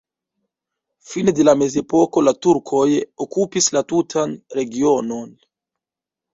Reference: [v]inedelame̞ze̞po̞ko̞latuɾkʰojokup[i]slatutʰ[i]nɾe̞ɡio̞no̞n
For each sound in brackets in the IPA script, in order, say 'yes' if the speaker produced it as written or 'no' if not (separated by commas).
no, yes, no